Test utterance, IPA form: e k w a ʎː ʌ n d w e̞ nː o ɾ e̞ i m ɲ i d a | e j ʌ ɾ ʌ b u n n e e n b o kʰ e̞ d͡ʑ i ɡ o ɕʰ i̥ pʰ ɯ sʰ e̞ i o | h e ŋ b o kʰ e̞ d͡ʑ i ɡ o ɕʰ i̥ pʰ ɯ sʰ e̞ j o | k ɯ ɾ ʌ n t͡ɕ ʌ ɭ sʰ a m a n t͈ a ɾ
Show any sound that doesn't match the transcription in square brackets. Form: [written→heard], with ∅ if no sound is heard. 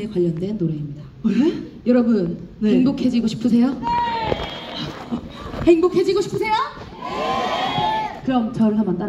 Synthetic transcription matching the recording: e k w a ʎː ʌ n d w e̞ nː o ɾ e̞ i m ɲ i d a | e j ʌ ɾ ʌ b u n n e e [n→ŋ] b o kʰ e̞ d͡ʑ i ɡ o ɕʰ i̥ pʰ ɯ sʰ e̞ [i→j] o | h e ŋ b o kʰ e̞ d͡ʑ i ɡ o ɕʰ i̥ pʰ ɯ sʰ e̞ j o | k ɯ ɾ ʌ [n→m] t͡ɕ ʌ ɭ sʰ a m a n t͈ a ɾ